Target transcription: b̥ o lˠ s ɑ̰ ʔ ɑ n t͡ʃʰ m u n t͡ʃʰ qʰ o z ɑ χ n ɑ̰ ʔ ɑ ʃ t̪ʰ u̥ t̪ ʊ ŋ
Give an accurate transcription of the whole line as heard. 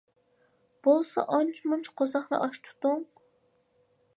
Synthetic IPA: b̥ o lˠ s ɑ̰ ʔ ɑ n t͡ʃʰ m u n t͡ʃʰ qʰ o z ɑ χ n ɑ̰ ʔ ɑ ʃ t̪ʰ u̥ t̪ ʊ ŋ